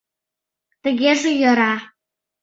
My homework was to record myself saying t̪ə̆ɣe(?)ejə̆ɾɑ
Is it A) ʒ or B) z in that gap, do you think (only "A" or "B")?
A